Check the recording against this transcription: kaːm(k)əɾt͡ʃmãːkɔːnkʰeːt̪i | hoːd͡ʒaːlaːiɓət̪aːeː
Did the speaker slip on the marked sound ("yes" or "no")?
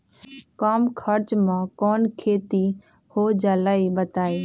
yes